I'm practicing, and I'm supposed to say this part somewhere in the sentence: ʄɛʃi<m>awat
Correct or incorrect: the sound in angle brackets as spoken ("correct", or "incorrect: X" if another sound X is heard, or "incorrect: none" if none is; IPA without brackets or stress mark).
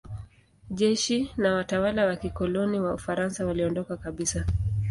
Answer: incorrect: n